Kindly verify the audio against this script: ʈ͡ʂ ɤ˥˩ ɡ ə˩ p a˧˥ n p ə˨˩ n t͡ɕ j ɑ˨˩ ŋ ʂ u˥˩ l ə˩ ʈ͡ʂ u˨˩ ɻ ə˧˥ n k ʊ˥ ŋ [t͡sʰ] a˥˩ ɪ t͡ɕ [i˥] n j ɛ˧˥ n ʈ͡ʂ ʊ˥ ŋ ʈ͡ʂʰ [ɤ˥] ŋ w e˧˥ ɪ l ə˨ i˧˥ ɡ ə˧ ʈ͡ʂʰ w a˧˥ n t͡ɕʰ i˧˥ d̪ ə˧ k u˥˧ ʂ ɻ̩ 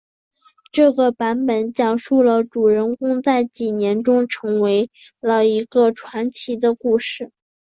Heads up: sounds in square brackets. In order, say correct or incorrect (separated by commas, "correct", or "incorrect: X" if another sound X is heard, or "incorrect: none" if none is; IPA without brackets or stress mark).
incorrect: t͡s, incorrect: i˨˩, incorrect: ɤ˧˥